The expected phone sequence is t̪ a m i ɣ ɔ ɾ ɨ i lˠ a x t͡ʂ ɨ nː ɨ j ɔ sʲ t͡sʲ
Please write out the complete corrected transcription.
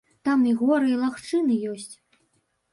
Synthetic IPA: t̪ a m i ɣ ɔ ɾ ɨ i lˠ a x t͡ʂ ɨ n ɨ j ɔ sʲ t͡sʲ